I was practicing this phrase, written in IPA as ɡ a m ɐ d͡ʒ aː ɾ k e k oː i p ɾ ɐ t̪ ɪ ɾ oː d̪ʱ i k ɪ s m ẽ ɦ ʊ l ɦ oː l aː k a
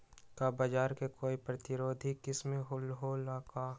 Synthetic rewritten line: k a b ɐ d͡ʒ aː ɾ k e k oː i p ɾ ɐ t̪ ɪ ɾ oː d̪ʱ i k ɪ s m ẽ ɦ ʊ l ɦ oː l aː k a